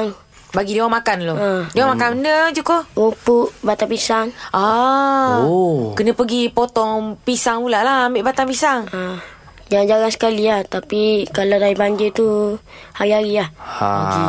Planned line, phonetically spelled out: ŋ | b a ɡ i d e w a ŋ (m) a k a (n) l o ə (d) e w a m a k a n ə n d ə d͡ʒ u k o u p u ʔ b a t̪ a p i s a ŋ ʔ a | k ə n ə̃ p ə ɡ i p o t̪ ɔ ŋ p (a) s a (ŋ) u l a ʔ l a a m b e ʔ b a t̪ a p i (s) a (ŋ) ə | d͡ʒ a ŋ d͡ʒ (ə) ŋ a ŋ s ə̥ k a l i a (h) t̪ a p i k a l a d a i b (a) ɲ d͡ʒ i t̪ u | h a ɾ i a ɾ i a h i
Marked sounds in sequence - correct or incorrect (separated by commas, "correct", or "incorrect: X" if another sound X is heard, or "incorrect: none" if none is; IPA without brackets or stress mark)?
correct, correct, correct, incorrect: i, correct, correct, correct, incorrect: a, correct, correct